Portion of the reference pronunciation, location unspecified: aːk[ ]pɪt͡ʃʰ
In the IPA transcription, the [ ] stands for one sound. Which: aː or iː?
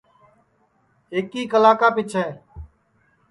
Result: aː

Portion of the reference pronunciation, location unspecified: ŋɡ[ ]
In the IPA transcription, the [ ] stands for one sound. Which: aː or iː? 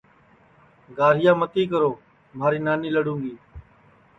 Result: iː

